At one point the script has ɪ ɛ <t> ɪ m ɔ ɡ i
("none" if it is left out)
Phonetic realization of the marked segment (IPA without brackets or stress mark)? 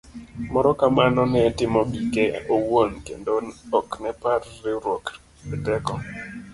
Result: t